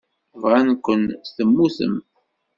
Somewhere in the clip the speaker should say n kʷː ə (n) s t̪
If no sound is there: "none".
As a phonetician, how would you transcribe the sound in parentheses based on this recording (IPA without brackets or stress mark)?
n